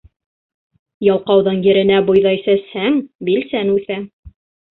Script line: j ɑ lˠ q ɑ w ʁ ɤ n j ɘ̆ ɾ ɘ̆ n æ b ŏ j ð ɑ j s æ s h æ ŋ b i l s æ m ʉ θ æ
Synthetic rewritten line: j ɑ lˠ q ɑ w ð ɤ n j ɘ̆ ɾ ɘ̆ n æ b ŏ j ð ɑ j s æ s h æ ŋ b i l s æ n ʉ θ æ